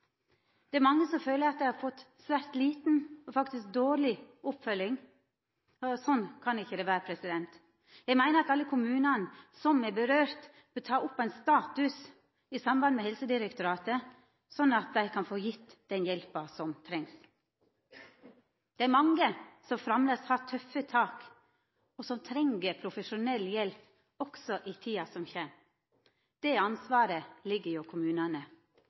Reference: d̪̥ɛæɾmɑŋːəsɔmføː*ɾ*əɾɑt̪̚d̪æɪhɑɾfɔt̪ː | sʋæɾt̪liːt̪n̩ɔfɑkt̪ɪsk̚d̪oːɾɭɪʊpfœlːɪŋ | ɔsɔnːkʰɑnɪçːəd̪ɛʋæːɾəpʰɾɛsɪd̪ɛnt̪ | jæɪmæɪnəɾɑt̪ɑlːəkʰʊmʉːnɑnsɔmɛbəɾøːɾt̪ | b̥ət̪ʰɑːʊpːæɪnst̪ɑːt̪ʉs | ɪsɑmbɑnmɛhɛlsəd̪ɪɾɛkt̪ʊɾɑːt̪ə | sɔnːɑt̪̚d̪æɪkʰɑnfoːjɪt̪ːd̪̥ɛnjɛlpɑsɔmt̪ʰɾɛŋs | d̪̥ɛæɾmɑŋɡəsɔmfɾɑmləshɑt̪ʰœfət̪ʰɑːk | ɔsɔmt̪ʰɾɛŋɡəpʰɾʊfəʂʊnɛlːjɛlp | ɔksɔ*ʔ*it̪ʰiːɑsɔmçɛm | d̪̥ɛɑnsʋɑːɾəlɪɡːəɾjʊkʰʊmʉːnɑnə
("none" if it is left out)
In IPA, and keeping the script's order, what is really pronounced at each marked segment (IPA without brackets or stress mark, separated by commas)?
l, ʔ